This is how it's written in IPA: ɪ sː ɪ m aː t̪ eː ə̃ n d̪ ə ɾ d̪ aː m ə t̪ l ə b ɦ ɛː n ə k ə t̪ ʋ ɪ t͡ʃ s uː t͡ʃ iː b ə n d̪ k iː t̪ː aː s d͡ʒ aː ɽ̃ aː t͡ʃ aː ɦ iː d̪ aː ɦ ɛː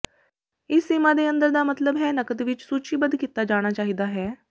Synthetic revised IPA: ɪ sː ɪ m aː d̪ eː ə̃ n d̪ ə ɾ d̪ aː m ə t̪ l ə b ɦ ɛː n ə k ə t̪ ʋ ɪ t͡ʃ s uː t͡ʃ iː b ə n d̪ k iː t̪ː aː d͡ʒ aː ɽ̃ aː t͡ʃ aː ɦ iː d̪ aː ɦ ɛː